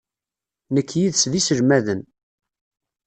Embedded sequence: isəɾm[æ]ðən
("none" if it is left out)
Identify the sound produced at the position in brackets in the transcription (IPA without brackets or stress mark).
æ